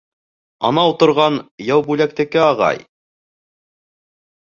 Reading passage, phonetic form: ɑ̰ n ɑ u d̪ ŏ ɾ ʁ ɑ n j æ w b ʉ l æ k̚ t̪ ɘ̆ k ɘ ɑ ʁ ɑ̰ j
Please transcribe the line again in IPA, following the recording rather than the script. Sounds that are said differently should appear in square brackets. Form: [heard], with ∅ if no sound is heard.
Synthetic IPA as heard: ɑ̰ n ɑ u [t̪] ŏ ɾ ʁ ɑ n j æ w b ʉ l æ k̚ t̪ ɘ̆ k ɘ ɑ ʁ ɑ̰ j